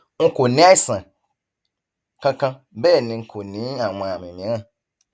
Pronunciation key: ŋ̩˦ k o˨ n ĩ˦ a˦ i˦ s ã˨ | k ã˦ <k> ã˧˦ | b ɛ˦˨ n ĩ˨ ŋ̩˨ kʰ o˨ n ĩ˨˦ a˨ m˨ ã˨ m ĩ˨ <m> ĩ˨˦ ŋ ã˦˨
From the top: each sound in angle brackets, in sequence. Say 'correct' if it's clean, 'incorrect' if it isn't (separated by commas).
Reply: correct, correct